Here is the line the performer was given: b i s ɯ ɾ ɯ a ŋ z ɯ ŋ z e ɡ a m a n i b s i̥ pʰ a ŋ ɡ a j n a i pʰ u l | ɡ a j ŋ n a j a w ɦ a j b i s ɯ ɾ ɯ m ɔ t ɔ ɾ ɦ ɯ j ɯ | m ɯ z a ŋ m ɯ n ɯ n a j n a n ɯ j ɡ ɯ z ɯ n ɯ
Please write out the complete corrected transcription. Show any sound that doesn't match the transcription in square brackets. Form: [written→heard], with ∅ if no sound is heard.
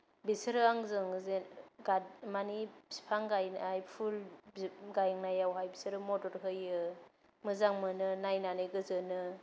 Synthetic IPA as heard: b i s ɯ ɾ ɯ a ŋ z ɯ ŋ z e ɡ a m a n i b s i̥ pʰ a ŋ ɡ a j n a [i→j] pʰ u l | ɡ a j ŋ n a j a w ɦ a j b i s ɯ ɾ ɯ m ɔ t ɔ ɾ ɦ ɯ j ɯ | m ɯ z a ŋ m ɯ n ɯ n a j n a n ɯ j ɡ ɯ z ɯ n ɯ